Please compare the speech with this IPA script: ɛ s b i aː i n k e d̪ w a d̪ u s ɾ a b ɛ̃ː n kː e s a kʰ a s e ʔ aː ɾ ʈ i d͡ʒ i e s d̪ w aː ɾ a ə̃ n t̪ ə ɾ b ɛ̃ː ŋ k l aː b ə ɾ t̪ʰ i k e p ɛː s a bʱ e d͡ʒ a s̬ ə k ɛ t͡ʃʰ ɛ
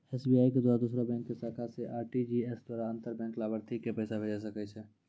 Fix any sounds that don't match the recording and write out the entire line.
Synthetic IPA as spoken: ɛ s b i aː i k e d̪ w a d̪ u s ɾ a b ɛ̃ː ŋ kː e s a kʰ a s e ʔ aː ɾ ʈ i d͡ʒ i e s d̪ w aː ɾ a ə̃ n t̪ ə ɾ b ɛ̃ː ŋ k l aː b ə ɾ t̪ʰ i k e p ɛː s a bʱ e d͡ʒ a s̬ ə k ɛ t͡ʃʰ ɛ